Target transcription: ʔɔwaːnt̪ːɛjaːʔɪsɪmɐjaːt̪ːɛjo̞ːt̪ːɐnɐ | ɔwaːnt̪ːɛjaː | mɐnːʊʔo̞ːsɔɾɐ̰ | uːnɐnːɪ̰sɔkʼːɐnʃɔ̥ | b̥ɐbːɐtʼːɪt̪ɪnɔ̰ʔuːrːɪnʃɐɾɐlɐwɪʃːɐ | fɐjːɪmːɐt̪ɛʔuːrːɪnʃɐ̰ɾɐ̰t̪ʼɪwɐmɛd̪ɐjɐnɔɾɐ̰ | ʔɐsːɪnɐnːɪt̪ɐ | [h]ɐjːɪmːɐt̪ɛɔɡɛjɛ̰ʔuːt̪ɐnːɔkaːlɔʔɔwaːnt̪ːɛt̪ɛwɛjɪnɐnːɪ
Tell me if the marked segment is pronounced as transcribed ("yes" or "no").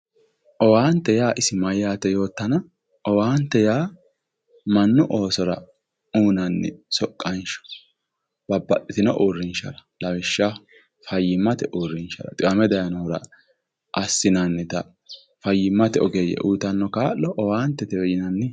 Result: no